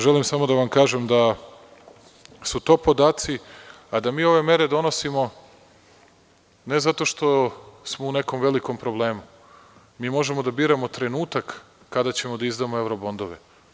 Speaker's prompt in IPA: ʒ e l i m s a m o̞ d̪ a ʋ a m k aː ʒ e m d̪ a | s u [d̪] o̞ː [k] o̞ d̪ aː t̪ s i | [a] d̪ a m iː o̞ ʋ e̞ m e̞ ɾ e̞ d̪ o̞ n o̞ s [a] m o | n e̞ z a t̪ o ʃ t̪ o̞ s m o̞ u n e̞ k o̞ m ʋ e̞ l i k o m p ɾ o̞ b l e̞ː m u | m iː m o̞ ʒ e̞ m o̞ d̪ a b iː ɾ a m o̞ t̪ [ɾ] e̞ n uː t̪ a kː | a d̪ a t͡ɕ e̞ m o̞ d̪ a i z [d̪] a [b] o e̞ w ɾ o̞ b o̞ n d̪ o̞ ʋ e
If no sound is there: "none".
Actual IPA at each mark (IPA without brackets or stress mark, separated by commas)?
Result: t̪, p, a, i, ɾ, d̪, m